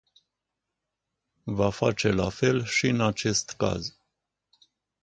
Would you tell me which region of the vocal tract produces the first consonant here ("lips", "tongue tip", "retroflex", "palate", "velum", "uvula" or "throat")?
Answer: lips